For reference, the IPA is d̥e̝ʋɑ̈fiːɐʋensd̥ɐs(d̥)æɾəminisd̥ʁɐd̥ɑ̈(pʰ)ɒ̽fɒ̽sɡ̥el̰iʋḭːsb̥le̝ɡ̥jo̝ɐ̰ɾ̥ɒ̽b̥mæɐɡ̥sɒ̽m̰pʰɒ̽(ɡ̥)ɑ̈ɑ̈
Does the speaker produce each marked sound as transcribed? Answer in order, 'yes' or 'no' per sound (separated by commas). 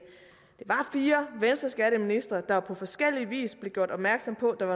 no, yes, no